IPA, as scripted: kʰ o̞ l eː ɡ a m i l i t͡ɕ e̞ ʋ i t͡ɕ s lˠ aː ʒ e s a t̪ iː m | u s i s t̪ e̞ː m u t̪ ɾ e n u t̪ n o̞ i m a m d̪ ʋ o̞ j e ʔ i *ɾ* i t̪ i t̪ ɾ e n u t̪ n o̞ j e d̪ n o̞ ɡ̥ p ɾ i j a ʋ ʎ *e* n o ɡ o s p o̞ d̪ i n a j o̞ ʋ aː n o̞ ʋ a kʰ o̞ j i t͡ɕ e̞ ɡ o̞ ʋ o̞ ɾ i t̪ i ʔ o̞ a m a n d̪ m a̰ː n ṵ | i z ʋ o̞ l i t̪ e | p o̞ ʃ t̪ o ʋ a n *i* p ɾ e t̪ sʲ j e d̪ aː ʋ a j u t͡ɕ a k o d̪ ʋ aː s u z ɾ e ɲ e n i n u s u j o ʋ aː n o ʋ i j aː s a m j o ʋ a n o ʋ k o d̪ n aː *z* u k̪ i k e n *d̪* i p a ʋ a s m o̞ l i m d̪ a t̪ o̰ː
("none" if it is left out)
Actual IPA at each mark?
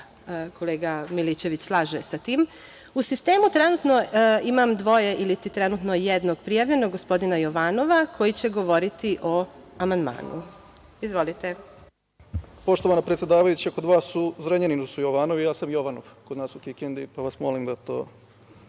l, e, a, s, d̪

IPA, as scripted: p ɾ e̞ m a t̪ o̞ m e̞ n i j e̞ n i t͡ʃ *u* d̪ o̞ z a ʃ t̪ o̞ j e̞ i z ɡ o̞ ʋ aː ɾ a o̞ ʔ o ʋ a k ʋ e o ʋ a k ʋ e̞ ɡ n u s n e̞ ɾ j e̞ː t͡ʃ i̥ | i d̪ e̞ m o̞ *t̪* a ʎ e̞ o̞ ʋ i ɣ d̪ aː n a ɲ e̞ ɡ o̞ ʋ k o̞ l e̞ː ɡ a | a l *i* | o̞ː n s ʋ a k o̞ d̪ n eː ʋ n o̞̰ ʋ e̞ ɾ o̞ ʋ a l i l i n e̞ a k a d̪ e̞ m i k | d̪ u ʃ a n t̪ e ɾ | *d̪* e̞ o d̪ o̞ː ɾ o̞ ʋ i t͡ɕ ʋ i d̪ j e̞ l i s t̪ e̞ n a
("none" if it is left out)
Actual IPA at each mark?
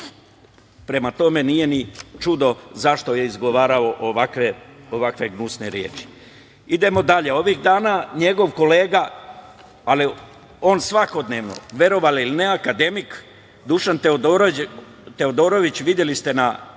u, d̪, i, t̪

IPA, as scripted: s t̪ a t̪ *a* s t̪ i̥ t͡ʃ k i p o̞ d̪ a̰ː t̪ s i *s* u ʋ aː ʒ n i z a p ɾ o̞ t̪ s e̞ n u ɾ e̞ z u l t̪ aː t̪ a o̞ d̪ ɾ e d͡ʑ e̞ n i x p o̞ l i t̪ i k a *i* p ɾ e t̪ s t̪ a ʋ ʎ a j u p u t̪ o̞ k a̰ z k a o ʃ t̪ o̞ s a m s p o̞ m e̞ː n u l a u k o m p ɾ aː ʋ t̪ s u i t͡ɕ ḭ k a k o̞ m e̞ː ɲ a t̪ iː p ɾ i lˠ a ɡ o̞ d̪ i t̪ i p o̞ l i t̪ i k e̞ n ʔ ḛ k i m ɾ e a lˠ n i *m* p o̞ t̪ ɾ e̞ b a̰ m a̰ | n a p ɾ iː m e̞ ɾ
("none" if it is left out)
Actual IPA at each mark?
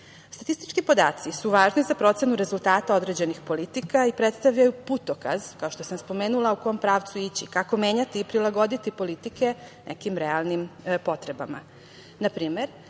i, s, i, m

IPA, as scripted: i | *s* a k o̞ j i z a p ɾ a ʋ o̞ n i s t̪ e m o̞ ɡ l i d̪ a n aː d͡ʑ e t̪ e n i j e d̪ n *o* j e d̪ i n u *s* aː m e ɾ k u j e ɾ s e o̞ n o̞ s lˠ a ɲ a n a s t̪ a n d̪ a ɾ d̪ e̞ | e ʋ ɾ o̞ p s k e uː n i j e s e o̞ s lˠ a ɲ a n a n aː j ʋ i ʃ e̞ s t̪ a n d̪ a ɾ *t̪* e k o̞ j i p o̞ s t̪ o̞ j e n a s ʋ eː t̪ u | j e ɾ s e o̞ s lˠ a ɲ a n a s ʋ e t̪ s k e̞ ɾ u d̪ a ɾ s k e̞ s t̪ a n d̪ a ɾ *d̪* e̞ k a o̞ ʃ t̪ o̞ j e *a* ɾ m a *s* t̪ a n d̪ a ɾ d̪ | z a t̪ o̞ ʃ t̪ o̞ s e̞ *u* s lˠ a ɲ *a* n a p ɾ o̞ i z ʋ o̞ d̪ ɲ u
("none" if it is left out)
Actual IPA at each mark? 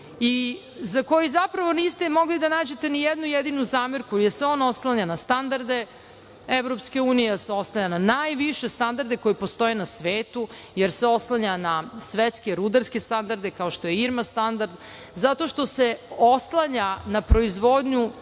z, u, z, d̪, d̪, i, s, o, a

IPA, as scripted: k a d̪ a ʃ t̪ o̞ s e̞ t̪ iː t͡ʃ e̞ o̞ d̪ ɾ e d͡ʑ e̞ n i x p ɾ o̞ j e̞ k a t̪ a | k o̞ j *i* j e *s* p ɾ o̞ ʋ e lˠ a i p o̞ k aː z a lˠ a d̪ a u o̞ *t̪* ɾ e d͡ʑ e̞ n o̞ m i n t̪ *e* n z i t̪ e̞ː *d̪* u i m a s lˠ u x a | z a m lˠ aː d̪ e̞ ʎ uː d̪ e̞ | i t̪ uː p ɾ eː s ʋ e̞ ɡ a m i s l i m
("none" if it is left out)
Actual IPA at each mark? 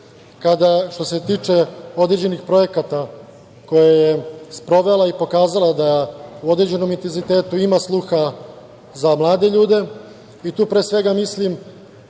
a, s, d̪, e, t̪

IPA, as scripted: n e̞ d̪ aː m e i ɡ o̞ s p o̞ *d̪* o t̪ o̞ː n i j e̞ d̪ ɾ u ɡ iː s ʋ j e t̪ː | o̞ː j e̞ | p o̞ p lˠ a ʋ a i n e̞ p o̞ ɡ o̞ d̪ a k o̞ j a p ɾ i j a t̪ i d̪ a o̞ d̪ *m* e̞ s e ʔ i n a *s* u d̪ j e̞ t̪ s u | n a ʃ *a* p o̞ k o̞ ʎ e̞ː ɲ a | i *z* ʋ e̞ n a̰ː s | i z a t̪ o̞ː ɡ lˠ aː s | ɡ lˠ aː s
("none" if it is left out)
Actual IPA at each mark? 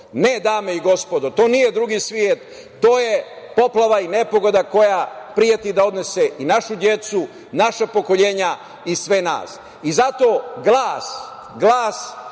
d̪, n, ʃ, a, s

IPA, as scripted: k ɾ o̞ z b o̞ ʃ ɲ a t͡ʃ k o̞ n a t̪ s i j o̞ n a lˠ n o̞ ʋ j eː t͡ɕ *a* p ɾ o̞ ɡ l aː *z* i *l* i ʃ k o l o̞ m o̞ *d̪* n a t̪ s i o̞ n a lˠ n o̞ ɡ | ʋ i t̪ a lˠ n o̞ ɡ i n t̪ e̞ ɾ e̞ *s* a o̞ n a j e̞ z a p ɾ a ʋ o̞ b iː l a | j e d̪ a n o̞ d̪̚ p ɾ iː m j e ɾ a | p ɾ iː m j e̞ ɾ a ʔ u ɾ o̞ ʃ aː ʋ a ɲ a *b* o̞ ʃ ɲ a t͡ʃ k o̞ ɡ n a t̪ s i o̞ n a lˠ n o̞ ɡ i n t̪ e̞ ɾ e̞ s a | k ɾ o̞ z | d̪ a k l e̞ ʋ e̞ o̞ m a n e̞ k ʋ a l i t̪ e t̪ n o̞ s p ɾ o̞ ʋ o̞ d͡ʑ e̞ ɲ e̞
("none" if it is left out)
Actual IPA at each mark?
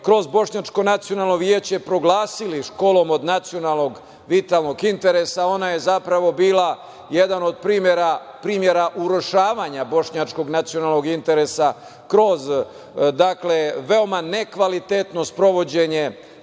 e, s, l, d̪, s, b

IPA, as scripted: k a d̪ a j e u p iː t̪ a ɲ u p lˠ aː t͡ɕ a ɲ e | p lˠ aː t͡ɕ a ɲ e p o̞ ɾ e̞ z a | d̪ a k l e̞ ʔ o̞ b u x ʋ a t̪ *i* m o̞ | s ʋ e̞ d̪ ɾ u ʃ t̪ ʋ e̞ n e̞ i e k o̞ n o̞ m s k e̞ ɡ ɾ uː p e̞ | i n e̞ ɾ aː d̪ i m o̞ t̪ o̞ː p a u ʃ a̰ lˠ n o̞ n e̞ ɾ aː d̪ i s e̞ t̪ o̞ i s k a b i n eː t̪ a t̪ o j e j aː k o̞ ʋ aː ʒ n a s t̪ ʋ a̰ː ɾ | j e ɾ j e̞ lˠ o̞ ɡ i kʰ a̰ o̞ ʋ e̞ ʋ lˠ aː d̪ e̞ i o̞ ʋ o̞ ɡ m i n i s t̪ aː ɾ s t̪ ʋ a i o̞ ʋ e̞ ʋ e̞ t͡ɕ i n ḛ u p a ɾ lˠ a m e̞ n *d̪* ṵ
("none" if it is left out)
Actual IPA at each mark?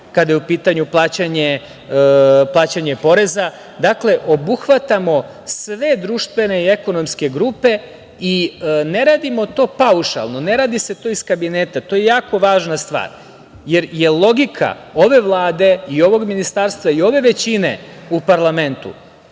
a, t̪

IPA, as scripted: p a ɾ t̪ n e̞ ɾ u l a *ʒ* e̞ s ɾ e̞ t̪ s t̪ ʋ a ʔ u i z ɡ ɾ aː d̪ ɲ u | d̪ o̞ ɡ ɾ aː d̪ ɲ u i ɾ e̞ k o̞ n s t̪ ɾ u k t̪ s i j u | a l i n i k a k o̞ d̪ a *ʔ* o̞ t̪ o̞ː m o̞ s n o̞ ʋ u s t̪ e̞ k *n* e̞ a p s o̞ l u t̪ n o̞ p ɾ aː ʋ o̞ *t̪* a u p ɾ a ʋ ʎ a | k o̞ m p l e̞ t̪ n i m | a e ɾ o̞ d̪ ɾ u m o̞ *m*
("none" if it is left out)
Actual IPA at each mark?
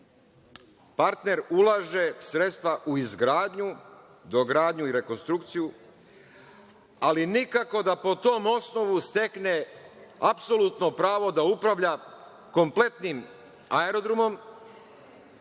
ʒ, p, n, d̪, m

